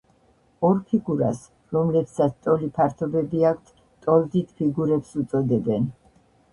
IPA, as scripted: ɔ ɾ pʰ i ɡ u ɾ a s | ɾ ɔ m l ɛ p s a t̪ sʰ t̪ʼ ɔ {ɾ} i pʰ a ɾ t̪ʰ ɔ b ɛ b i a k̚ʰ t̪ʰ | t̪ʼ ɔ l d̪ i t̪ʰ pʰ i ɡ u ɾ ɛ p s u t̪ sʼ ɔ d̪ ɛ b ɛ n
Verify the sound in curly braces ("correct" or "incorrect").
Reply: incorrect